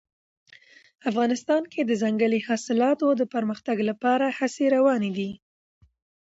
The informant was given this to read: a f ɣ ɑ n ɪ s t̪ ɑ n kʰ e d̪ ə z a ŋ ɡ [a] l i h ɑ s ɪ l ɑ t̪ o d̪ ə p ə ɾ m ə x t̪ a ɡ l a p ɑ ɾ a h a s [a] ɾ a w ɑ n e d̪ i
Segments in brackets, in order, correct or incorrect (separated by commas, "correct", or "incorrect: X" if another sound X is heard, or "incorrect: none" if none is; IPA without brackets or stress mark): incorrect: ə, incorrect: e